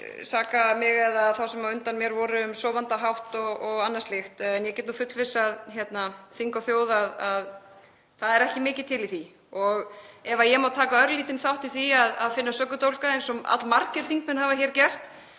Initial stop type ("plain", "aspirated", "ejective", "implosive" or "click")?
plain